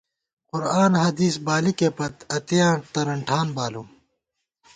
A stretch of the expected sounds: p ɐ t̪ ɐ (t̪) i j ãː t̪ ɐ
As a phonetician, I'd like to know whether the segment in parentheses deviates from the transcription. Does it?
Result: no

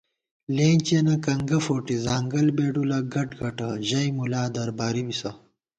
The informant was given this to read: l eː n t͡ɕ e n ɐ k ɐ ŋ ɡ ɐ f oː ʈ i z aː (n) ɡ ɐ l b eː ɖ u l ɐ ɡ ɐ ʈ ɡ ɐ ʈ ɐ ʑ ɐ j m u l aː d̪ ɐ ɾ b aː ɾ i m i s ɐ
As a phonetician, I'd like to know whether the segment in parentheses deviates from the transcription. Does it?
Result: yes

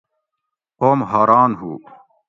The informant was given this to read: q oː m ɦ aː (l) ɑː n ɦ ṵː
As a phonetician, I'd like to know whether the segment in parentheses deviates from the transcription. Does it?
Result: yes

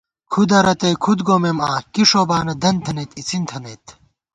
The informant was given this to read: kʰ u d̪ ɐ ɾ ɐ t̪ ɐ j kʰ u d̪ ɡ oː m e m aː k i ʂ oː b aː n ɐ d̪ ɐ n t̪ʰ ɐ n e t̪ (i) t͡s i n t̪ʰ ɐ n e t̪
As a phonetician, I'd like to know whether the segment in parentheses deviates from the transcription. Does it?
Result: no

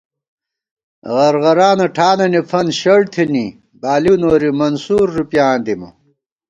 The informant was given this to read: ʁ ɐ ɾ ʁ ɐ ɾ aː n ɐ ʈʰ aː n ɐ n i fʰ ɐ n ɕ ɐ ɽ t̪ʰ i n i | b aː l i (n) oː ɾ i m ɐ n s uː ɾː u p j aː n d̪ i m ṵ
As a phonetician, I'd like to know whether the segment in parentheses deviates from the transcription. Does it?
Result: no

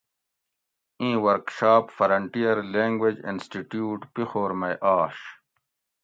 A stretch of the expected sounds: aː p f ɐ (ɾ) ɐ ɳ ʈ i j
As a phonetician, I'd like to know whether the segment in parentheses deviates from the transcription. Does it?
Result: no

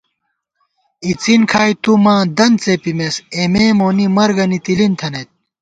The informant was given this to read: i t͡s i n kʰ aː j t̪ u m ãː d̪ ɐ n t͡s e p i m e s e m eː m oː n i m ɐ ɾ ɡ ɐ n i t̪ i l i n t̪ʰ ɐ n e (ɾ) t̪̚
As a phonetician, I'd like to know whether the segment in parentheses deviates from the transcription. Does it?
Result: yes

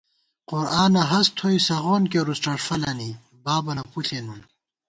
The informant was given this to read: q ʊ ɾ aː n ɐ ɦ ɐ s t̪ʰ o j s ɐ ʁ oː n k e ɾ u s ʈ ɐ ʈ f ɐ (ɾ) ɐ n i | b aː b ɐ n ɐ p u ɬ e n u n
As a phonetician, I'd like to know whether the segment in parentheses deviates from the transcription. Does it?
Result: yes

